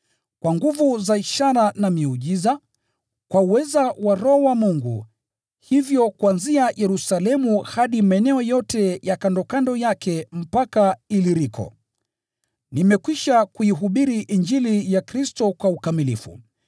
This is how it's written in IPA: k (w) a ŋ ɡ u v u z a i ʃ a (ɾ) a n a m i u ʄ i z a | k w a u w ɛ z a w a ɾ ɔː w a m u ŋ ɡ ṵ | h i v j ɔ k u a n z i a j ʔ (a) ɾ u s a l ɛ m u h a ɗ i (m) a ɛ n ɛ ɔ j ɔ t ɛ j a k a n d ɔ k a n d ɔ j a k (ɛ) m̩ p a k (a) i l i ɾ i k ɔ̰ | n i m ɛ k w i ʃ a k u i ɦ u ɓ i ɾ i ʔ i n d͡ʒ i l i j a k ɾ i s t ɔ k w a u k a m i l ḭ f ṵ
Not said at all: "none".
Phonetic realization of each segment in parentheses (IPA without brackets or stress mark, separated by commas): w, ɾ, ɛ, m, ɛ, a